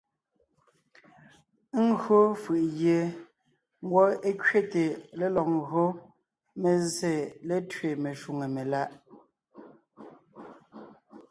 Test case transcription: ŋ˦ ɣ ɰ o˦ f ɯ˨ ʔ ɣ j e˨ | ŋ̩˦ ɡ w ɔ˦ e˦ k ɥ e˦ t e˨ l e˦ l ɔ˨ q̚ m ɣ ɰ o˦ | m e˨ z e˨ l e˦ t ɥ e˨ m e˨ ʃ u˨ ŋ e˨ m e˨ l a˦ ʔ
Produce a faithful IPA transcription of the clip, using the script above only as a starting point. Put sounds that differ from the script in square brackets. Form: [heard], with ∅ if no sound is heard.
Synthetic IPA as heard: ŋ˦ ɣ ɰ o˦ f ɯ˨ ʔ ɣ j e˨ | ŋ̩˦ ɡ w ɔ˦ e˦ k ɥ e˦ t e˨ l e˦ l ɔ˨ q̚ [ŋ] ɣ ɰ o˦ | m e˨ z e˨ l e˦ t ɥ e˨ m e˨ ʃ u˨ ŋ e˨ m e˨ l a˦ ʔ